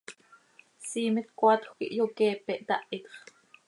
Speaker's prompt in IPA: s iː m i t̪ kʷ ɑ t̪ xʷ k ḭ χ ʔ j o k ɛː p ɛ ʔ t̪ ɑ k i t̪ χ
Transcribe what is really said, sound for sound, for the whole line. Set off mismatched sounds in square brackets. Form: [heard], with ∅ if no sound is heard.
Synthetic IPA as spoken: s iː m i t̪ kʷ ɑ t̪ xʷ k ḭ [∅] ʔ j o k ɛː p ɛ ʔ t̪ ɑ [ʔ] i t̪ χ